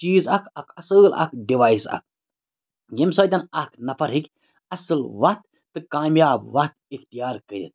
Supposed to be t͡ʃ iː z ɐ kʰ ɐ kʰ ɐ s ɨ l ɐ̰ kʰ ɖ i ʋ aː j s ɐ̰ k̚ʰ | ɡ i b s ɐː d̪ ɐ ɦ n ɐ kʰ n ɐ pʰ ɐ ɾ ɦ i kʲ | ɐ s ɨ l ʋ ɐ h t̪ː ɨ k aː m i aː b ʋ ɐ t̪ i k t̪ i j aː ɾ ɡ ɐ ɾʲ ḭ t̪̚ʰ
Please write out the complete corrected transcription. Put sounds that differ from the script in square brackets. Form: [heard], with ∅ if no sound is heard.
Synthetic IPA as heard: t͡ʃ iː z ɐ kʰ ɐ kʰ ɐ s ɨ l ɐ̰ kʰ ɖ i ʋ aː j s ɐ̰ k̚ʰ | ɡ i [m] s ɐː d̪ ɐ [∅] n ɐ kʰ n ɐ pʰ ɐ ɾ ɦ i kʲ | ɐ s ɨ l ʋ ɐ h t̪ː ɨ k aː m [j] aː b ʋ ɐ t̪ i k t̪ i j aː ɾ [k] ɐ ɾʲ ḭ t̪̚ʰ